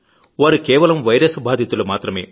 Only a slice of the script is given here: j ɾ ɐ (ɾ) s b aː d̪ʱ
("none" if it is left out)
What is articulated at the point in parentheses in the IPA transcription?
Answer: none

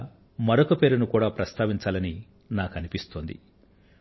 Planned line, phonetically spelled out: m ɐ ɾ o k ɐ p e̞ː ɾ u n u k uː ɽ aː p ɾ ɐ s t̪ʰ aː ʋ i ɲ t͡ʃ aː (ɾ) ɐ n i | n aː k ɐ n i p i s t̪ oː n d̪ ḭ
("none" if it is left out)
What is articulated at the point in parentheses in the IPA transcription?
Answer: l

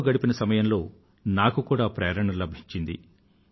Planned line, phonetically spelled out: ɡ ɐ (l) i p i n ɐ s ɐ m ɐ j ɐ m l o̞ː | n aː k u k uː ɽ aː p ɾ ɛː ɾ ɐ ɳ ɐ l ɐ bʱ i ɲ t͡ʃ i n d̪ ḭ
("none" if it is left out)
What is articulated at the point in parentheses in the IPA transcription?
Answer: ɽ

